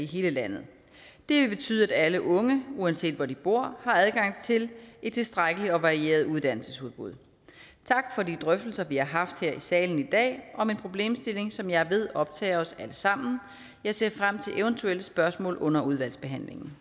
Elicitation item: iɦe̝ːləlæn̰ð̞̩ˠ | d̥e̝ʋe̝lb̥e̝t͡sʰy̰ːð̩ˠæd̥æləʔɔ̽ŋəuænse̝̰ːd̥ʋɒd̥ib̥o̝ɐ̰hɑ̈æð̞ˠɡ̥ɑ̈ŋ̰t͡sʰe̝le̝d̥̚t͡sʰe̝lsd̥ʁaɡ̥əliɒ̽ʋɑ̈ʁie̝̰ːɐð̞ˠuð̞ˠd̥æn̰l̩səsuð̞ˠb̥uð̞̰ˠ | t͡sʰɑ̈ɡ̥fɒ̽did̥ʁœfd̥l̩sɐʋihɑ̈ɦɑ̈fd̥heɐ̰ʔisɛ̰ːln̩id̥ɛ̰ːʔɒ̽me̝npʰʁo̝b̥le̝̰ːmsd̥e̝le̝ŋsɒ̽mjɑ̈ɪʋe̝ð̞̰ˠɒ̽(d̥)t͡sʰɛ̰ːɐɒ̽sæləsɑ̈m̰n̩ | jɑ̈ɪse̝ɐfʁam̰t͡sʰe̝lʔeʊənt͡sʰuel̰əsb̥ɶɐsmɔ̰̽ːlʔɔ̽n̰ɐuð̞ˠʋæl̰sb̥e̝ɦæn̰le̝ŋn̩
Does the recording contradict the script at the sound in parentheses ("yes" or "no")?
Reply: yes